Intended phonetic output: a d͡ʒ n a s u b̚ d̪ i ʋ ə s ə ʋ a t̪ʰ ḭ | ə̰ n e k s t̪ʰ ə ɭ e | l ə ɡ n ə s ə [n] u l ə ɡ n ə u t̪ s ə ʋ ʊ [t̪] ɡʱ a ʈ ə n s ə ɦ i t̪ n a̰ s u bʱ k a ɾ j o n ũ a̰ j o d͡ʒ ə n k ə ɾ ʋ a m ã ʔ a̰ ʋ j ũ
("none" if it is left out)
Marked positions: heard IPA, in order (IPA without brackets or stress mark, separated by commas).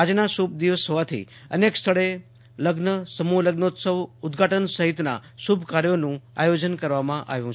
m, d̪